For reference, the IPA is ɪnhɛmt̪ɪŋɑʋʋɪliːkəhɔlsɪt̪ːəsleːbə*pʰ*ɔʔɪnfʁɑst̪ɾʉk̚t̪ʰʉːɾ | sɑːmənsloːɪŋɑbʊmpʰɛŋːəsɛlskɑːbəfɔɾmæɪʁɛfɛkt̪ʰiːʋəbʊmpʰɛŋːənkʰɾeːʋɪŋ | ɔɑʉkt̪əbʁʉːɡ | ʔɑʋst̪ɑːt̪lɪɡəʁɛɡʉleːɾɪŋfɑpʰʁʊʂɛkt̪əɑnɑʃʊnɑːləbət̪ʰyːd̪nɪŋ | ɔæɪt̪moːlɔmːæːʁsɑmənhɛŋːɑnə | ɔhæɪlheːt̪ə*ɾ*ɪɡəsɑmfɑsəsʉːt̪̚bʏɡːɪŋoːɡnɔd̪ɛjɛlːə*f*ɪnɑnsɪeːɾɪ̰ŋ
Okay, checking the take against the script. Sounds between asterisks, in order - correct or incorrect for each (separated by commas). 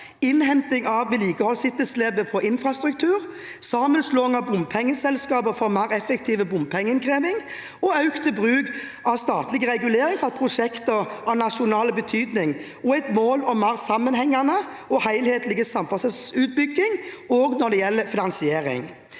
correct, incorrect, correct